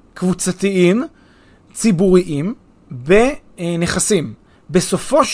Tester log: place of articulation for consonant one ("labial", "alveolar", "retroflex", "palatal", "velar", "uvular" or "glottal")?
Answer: velar